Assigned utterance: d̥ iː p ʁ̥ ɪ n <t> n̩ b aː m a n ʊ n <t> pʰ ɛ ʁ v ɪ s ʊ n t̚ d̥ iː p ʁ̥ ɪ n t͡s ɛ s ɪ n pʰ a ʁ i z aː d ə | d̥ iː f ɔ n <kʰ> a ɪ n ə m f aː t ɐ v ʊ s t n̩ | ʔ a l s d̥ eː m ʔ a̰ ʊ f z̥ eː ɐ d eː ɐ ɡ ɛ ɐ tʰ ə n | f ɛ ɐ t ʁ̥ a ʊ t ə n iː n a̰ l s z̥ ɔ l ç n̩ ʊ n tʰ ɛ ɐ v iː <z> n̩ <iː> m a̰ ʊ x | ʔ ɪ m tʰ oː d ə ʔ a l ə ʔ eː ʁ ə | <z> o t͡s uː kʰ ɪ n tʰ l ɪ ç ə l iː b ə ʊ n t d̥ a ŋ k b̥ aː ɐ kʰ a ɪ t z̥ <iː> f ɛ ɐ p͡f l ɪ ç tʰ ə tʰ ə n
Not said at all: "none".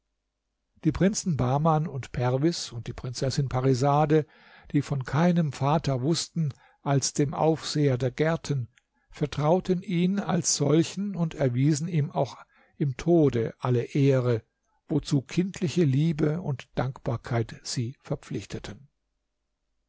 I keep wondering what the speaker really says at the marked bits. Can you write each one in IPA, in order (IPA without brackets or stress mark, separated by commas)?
t͡s, t, kʰ, z, iː, v, iː